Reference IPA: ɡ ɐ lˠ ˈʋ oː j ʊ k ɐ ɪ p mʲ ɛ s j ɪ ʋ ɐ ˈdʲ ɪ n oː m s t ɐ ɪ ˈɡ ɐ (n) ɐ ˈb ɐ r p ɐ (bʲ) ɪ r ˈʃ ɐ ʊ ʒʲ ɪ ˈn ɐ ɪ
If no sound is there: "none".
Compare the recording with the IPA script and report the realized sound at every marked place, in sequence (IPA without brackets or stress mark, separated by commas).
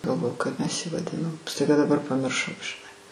d, mʲ